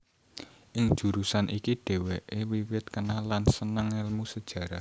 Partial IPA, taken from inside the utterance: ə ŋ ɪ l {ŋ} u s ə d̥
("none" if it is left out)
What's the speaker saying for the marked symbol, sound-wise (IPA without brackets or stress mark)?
m